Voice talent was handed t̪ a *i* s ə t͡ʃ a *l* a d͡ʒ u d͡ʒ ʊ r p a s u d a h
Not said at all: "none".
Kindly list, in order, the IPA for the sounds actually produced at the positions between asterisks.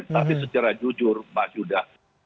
i, ɾ

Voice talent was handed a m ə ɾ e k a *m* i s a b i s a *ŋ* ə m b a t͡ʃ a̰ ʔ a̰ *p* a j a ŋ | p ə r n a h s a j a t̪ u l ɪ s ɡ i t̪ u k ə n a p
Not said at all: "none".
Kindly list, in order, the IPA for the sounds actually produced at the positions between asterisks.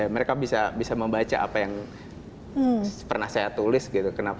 b, m, p

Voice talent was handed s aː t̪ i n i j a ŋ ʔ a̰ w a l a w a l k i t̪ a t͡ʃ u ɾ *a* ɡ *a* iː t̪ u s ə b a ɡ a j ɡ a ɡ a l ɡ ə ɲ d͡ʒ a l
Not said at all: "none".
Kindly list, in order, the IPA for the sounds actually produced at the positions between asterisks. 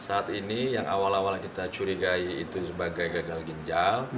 i, a

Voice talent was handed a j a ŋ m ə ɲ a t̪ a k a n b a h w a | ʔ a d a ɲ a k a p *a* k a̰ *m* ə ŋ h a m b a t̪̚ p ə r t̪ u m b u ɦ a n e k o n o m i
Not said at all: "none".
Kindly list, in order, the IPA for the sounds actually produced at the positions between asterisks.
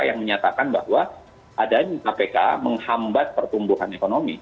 e, m

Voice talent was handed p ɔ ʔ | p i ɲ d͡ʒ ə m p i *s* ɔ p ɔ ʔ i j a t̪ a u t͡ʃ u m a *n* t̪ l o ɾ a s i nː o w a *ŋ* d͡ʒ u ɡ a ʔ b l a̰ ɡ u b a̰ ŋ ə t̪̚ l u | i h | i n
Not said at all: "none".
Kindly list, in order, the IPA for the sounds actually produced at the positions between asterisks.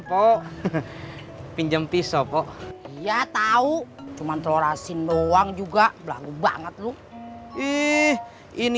s, n, ŋ

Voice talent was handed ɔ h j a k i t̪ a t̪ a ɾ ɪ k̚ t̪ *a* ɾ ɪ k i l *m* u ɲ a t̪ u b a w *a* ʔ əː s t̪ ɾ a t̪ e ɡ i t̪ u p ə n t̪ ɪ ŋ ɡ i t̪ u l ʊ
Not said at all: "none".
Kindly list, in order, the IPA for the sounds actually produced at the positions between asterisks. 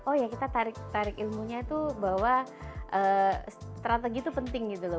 a, m, a

